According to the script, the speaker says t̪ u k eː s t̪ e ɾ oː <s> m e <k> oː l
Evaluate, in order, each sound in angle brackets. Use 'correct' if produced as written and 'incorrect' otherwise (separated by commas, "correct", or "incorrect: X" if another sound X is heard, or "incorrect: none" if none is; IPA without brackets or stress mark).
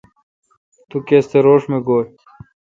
incorrect: ʂ, incorrect: ɡ